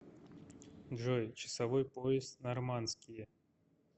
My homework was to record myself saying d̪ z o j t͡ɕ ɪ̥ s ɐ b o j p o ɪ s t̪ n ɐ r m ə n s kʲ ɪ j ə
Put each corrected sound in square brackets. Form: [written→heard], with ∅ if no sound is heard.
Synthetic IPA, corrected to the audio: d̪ [z→ʐ] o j t͡ɕ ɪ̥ s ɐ [b→v] o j p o ɪ s t̪ n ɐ r m [ə→a] n s kʲ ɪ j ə